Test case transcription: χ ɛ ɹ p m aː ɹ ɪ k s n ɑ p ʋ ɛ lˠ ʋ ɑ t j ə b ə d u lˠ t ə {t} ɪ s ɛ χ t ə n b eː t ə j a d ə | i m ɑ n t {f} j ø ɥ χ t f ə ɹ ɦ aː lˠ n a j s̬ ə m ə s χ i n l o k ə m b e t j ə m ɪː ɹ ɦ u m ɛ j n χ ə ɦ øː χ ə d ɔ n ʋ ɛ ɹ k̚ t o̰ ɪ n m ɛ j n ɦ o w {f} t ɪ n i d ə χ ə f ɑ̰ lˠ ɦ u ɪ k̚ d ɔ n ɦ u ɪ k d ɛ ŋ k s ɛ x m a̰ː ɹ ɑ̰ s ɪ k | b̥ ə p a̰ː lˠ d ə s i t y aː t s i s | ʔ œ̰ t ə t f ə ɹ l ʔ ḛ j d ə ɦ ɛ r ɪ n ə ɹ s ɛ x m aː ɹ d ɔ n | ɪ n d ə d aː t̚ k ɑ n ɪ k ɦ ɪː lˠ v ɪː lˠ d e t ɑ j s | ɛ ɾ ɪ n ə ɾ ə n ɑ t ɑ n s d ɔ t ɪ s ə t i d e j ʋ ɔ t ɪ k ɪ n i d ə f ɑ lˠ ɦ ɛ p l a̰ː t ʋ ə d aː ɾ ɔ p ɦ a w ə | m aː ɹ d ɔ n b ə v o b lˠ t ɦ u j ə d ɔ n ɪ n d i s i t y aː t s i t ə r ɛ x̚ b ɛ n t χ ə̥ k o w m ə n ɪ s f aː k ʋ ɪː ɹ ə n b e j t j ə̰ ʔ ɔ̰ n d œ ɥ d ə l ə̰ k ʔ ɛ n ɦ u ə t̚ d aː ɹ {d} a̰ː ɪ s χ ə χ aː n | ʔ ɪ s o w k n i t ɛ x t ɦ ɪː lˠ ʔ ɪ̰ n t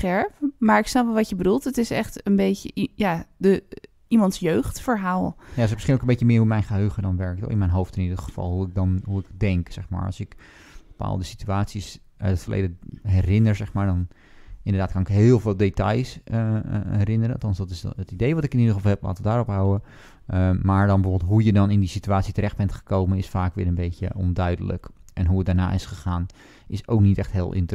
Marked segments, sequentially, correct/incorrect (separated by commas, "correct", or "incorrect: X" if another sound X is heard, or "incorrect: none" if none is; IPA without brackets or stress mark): correct, incorrect: s, correct, incorrect: n